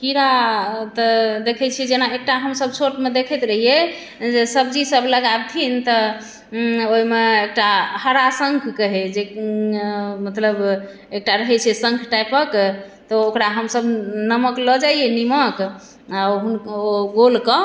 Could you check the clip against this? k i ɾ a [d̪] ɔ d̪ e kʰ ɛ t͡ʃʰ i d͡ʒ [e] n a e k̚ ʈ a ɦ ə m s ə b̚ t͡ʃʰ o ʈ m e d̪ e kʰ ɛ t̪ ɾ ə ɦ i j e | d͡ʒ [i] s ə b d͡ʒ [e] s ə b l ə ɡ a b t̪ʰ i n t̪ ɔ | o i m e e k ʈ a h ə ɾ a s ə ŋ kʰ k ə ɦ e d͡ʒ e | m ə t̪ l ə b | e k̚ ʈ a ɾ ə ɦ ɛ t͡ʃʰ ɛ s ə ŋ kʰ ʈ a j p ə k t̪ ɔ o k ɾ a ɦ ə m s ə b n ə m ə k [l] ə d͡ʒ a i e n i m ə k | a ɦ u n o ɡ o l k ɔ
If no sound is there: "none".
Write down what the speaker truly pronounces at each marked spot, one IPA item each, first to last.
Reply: t̪, e, e, i, l

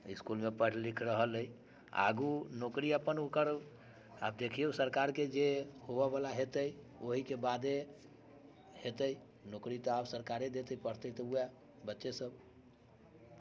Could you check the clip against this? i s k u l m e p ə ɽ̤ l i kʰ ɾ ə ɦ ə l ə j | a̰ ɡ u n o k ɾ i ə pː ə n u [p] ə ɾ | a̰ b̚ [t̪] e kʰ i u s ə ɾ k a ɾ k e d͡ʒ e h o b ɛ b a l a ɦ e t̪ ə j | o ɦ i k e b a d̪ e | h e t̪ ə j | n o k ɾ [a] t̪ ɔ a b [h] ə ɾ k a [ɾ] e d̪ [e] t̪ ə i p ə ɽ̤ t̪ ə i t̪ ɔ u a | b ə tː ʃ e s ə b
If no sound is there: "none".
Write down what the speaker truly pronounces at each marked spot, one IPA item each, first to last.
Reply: k, d̪, i, s, ɾ, e

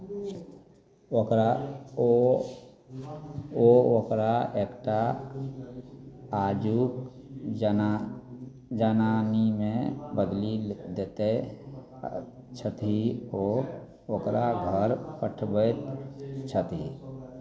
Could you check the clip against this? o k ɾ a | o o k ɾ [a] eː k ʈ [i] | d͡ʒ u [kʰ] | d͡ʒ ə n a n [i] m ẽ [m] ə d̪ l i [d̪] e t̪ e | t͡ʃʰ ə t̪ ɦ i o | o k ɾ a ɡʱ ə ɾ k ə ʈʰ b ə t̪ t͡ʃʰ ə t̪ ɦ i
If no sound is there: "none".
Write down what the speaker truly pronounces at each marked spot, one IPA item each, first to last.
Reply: a, a, k, i, b, d̪

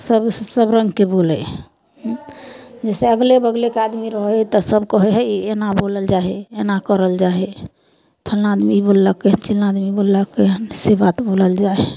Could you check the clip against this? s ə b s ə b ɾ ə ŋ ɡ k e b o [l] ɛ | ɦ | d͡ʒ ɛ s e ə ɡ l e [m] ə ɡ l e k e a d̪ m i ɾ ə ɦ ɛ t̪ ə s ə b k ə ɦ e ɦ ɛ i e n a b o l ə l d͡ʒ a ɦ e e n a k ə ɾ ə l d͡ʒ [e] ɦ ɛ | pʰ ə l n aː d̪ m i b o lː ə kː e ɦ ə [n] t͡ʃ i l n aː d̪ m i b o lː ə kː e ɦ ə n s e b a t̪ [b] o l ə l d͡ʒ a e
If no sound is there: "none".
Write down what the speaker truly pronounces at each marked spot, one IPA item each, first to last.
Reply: l, b, a, n, b

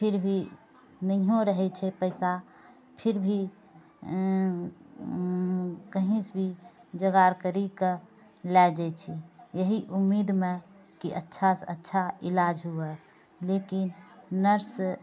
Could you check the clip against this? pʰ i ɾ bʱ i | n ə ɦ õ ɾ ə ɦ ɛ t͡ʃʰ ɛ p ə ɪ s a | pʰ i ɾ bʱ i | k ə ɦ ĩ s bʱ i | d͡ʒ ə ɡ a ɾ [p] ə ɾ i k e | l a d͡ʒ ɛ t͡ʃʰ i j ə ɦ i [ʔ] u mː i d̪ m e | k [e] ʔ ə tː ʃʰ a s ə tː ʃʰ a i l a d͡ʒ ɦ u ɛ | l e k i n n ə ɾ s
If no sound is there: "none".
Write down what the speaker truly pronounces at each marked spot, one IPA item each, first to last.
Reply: k, ʔ, i

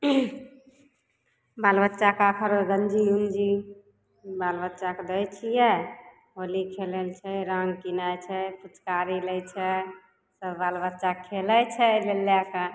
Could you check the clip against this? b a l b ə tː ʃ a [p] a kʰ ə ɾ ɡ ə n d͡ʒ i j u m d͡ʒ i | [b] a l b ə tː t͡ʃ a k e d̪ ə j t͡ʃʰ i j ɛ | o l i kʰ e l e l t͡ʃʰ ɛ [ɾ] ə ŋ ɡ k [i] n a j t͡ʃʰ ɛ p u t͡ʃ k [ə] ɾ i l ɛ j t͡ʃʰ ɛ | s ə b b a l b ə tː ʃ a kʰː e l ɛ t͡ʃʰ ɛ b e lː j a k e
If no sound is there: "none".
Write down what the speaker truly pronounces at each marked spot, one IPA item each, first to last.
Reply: k, b, ɾ, i, a

